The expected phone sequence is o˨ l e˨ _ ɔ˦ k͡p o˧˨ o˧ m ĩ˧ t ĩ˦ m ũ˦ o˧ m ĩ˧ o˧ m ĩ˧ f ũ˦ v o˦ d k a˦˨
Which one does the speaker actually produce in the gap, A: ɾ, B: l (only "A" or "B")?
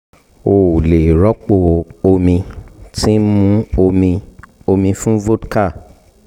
A